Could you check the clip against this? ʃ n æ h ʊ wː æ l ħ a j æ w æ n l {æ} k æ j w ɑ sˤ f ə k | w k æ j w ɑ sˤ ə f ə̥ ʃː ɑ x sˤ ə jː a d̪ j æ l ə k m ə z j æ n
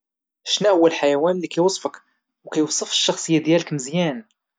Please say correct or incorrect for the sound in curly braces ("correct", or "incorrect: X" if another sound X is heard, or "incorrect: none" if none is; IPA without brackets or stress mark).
incorrect: i